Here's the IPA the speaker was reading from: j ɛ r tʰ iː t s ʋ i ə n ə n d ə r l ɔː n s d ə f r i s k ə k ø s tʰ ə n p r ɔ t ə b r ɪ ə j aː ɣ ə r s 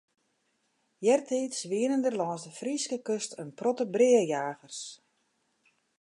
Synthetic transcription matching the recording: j ɛ r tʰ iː t s ʋ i ə n ə n d ə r l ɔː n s d ə f r i s k ə k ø s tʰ ə n p r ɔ t ə b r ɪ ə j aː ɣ ə r s